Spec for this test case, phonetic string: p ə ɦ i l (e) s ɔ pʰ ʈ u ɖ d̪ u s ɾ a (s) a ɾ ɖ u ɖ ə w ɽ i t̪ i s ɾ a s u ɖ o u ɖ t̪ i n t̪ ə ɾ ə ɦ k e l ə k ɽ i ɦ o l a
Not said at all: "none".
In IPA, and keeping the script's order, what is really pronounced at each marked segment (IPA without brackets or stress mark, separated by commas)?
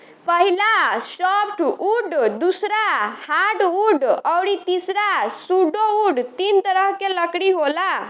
a, h